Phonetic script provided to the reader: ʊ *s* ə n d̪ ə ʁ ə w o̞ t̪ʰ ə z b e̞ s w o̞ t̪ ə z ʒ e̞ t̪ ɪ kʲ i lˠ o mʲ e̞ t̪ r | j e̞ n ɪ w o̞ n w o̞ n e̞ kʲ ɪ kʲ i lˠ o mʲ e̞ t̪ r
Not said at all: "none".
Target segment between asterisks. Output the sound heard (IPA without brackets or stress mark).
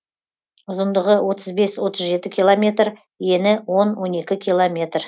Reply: z